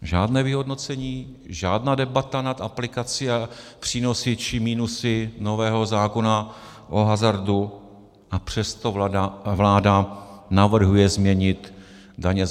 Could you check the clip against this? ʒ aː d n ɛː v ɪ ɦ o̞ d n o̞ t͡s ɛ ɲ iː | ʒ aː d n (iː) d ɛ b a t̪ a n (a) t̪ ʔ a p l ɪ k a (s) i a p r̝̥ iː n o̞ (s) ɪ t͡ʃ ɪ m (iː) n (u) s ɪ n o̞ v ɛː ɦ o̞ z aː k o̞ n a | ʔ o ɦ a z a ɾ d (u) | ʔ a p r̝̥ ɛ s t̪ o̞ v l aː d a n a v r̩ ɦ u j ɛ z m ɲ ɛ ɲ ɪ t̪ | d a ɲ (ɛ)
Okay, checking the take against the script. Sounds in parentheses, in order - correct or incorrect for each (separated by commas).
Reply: incorrect, correct, incorrect, correct, correct, correct, correct, correct